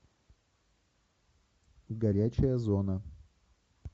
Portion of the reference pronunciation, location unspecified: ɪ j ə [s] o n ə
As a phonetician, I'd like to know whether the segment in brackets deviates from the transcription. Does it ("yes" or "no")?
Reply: yes